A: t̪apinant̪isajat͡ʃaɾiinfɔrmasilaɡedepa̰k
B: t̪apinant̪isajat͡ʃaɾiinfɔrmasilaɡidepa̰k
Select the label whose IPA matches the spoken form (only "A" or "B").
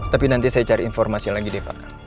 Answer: B